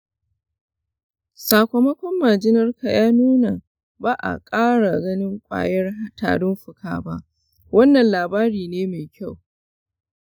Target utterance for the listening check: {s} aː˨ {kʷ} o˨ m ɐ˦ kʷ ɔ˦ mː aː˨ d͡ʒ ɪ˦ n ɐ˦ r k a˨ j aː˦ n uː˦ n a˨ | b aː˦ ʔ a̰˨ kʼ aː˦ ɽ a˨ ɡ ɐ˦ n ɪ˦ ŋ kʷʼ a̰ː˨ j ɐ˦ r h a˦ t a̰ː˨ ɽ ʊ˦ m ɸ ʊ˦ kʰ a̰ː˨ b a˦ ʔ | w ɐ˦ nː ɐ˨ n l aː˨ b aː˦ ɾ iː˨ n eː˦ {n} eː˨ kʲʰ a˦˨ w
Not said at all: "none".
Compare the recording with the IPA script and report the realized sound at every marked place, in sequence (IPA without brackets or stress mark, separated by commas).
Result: s, kʷ, m